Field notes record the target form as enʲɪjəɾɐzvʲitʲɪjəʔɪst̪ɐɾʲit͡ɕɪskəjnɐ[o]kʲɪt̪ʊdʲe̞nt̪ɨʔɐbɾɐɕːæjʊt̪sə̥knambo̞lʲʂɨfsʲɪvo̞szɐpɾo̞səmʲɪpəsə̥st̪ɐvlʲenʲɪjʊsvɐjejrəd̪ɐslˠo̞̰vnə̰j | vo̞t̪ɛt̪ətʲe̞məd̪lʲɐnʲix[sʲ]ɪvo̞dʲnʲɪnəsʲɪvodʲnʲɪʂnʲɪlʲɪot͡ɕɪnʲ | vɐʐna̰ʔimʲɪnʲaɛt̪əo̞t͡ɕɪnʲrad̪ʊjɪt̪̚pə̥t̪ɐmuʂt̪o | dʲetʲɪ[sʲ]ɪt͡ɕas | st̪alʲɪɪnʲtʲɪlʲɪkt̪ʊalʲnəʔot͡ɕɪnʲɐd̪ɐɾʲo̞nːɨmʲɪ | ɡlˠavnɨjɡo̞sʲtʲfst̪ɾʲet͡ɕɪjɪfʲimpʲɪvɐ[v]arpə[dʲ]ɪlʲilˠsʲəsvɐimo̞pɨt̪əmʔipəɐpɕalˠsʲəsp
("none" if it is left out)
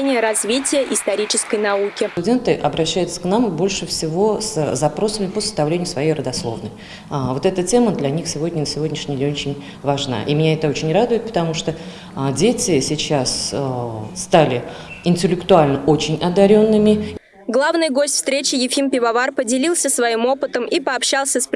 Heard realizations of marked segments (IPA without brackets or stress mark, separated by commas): u, sʲ, sʲ, v, dʲ